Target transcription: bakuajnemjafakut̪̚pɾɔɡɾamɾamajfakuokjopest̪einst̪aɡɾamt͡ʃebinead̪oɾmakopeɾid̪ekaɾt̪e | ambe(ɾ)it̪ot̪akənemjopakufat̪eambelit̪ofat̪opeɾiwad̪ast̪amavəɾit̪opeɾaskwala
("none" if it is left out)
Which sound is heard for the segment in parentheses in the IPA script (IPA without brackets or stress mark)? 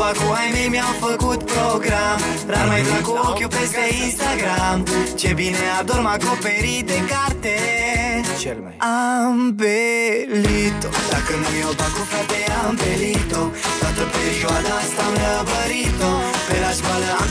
l